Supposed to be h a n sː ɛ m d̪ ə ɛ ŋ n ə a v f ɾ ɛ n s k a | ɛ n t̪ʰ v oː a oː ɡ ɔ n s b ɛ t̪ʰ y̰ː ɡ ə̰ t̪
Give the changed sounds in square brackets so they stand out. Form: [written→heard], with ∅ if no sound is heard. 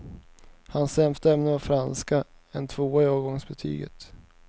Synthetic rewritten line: h a n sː ɛ m [d̪→t̪] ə ɛ [ŋ→m] n ə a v f ɾ [ɛ→a] n s k a | ɛ n t̪ʰ v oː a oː ɡ ɔ [n→ŋ] s b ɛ t̪ʰ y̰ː ɡ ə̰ t̪